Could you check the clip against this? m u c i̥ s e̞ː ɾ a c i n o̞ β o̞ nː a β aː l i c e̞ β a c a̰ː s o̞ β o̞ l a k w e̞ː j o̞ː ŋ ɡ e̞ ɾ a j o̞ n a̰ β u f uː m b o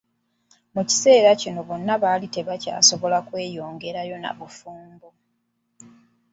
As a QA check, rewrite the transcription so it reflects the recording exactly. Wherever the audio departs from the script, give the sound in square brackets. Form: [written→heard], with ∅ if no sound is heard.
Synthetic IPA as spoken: m u c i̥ s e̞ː ɾ a c i n o̞ β o̞ nː a β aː l i [c→t] e̞ β a c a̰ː s o̞ β o̞ l a k w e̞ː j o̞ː ŋ ɡ e̞ ɾ a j o̞ n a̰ β u f uː m b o

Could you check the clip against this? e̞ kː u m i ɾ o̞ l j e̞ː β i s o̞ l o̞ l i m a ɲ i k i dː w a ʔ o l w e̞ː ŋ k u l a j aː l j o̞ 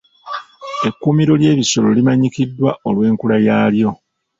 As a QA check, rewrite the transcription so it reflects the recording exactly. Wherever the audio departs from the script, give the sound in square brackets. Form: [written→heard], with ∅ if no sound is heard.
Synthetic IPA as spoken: e̞ kː u m i ɾ o̞ l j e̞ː β i s o̞ l o̞ l i m a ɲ i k i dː w a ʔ o l w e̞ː ŋ k u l a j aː l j o̞

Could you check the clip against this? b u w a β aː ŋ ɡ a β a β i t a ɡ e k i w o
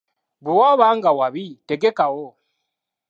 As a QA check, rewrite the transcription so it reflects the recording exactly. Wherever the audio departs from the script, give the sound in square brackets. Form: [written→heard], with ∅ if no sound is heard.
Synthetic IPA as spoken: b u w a β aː ŋ ɡ a [β→w] a β i t [a→e] ɡ e k [i→a] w o

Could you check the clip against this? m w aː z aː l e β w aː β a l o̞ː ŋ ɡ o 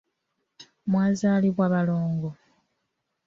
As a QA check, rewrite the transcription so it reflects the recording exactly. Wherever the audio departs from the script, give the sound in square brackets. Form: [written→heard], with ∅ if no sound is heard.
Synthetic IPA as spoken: m w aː z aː l [e→i] β w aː β a l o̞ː ŋ ɡ o

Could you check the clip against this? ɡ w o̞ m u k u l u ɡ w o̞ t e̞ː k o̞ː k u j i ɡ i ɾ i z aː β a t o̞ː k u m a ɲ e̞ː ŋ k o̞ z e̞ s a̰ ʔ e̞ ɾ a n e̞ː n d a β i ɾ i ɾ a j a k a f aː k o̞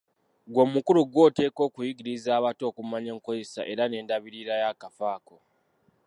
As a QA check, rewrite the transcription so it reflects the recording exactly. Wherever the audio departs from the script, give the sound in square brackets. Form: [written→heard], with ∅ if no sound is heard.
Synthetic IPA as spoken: ɡ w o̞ m u k u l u ɡ w o̞ t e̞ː k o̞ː k u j i ɡ i ɾ i z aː β a t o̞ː k u m a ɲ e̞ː ŋ k o̞ z e̞ s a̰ ʔ e̞ ɾ a n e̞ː n d a β i ɾ i ɾ a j a k a f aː k o̞

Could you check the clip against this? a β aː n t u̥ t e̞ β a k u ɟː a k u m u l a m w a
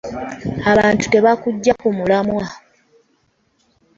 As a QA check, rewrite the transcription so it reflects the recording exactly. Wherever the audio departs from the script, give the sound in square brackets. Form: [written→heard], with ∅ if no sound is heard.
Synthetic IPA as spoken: a β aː n t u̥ t e̞ β a k u ɟː a k u m u l a m w a

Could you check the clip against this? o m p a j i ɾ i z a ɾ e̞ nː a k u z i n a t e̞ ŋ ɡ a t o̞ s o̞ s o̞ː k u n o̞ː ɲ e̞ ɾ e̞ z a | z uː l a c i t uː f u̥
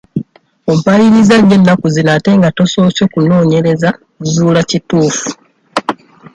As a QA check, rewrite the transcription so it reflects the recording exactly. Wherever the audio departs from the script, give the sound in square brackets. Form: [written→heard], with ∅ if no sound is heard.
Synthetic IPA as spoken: o m p a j i ɾ i z a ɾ e̞ nː a k u z i n a t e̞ ŋ ɡ a t o̞ s o̞ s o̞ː k u n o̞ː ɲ e̞ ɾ e̞ z a | z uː l a c i t uː f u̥

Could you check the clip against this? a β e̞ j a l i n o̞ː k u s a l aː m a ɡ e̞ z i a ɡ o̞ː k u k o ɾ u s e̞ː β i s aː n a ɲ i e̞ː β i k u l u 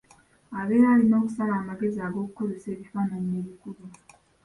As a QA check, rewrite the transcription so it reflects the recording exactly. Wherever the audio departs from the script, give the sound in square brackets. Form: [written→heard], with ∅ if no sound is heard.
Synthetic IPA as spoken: a β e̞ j a l i n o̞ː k u s a l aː m a ɡ e̞ z i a ɡ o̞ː k u k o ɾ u s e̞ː β i [s→f] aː n a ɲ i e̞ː β i k u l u

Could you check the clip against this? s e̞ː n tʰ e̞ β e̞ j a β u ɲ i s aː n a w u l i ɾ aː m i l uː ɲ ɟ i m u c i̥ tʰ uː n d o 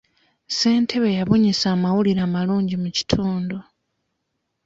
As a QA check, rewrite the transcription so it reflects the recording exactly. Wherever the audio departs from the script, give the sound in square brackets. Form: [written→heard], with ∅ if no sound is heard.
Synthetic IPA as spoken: s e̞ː n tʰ e̞ β e̞ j a β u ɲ i s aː [n→m] a w u l i ɾ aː m [i→a] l uː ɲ ɟ i m u c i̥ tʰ uː n d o

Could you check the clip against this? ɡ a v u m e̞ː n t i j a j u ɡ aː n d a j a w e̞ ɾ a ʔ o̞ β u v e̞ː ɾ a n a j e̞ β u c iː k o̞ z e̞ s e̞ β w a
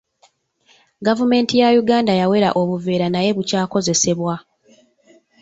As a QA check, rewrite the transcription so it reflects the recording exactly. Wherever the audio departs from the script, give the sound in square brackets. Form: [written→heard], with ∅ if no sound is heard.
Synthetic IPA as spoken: ɡ a v u m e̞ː n t i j a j u ɡ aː n d a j a w e̞ ɾ a ʔ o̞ β u v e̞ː ɾ a n a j e̞ β u c [iː→aː] k o̞ z e̞ s e̞ β w a

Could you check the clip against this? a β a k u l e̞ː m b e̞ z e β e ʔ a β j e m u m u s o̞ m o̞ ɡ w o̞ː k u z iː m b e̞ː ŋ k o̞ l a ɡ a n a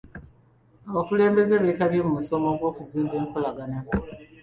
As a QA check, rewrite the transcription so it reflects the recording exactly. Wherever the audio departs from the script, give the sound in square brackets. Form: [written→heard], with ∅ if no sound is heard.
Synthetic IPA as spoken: a β a k u l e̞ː m b e̞ z e β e [ʔ→t] a β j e m u m u s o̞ m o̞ ɡ w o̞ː k u z iː m b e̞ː ŋ k o̞ l a ɡ a n a

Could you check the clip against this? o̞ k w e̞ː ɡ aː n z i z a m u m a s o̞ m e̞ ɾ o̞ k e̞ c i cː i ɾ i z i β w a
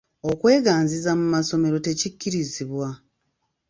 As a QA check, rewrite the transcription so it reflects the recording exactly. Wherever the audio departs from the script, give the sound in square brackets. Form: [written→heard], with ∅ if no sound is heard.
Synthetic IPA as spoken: o̞ k w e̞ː ɡ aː n z i z a m u m a s o̞ m e̞ ɾ o̞ [k→t] e̞ c i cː i ɾ i z i β w a

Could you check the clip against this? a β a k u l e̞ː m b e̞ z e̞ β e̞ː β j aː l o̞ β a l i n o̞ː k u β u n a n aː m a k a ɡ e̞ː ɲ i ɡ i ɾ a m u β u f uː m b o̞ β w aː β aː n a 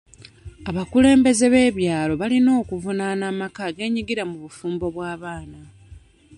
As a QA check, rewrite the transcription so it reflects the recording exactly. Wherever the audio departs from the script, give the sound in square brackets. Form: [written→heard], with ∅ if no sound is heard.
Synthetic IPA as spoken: a β a k u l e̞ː m b e̞ z e̞ β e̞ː β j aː l o̞ β a l i n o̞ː k u [β→v] u n a n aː m a k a ɡ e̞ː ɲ i ɡ i ɾ a m u β u f uː m b o̞ β w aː β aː n a

